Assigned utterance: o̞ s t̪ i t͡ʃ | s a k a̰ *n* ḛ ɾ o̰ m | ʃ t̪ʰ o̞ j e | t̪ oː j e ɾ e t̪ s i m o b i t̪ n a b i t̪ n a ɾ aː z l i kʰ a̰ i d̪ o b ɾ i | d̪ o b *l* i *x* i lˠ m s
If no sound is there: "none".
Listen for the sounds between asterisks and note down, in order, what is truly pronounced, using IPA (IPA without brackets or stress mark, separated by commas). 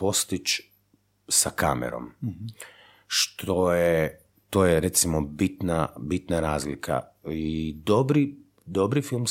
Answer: m, ɾ, f